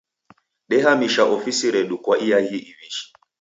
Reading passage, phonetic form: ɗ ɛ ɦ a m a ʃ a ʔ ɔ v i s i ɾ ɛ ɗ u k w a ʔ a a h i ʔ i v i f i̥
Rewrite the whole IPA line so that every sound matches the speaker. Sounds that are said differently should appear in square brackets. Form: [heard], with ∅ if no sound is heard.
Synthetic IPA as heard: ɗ ɛ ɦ a m [i] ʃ a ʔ ɔ [f] i s i ɾ ɛ ɗ u k w a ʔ [i] a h i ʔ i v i [ʃ] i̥

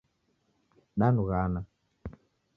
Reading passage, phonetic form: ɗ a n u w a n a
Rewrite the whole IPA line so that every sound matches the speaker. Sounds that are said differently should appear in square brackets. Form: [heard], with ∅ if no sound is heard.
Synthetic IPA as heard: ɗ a n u [ɣ] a n a

